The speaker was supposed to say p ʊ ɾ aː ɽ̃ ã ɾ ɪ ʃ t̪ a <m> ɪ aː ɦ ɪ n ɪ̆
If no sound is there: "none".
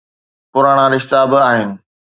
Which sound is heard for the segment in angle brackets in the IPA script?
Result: b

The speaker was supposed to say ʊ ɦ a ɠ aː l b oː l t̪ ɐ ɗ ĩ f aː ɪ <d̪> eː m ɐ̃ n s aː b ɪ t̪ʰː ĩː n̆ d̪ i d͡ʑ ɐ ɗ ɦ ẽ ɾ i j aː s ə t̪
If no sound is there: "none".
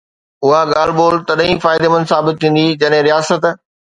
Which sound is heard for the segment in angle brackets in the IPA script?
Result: d̪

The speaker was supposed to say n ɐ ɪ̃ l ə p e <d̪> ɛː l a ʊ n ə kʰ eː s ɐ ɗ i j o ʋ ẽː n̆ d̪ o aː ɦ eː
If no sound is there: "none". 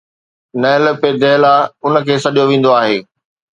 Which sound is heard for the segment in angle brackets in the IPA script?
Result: d̪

